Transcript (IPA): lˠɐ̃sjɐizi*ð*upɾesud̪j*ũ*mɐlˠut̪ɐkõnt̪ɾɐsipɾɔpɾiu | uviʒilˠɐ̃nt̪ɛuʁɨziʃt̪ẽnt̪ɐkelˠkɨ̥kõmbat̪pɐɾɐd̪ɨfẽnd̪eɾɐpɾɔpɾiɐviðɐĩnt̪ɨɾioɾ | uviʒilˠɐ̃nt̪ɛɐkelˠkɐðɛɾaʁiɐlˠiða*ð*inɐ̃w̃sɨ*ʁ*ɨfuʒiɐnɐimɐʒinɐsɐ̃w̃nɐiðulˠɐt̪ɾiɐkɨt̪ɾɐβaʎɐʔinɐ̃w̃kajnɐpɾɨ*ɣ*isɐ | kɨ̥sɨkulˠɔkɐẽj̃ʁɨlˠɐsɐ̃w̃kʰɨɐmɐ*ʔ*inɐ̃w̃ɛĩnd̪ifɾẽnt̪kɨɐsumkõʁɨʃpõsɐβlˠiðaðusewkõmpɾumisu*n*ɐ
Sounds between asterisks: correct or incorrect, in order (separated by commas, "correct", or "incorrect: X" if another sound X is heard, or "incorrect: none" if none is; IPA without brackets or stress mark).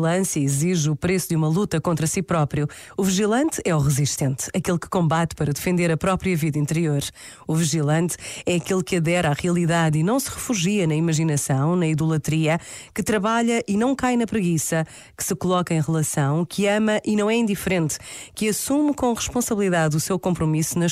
incorrect: ʒ, incorrect: u, correct, correct, correct, correct, correct